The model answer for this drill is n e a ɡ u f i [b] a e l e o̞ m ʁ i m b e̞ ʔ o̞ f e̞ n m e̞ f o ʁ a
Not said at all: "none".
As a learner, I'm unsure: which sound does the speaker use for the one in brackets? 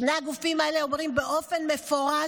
m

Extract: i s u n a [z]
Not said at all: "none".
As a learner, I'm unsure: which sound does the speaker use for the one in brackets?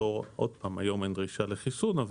v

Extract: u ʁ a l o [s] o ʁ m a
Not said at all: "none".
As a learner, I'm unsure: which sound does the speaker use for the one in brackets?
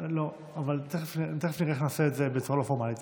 f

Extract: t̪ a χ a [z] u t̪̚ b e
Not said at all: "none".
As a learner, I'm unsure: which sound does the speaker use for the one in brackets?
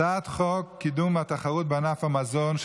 ʁ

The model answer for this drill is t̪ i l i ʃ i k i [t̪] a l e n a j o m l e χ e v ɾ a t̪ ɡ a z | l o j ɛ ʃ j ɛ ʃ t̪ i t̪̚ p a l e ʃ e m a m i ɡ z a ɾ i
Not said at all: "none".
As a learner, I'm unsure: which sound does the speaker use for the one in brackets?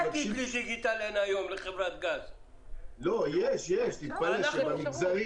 t̪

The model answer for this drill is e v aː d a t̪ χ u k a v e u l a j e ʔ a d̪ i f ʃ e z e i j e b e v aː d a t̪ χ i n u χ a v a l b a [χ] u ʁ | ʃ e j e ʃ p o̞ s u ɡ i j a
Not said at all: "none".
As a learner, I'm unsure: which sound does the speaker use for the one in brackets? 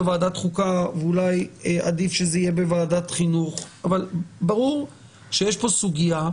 ʁ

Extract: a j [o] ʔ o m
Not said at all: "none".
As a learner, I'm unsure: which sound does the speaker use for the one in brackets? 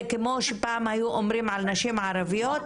u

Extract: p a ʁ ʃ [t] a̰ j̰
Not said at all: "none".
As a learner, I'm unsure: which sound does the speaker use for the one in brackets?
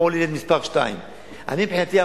t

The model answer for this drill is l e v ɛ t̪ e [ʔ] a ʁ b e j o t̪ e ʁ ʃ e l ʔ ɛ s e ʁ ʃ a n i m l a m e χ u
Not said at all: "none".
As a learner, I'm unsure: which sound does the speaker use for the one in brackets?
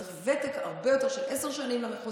k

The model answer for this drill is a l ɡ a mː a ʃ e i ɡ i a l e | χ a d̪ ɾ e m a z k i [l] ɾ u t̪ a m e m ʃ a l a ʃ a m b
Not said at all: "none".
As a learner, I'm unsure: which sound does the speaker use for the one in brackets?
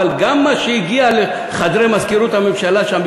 none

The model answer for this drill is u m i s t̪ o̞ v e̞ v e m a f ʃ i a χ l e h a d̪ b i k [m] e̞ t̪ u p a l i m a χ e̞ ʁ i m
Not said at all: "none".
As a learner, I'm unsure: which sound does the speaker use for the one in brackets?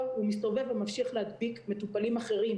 m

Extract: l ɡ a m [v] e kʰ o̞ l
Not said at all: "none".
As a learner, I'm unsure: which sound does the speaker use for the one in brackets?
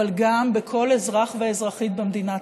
b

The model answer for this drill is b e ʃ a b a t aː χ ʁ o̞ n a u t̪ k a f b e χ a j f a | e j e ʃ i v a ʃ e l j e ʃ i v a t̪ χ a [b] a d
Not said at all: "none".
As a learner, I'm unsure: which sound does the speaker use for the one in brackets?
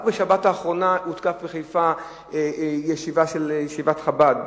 b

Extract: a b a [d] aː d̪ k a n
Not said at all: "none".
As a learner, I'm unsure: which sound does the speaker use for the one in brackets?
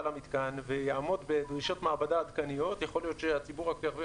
d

